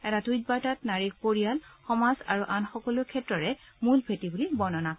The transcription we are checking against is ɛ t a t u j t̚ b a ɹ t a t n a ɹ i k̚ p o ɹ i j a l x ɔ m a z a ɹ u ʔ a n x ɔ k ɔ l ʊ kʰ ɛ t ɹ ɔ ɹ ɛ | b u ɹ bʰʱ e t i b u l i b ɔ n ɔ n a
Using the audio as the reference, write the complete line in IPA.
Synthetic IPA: ɛ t a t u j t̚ b a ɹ t a t n a ɹ i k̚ p o ɹ i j a l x ɔ m a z a ɹ u ʔ a n x ɔ k ɔ l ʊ kʰ ɛ t ɹ ɔ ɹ ɛ | m u l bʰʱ e t i b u l i b ɔ n ɔ n a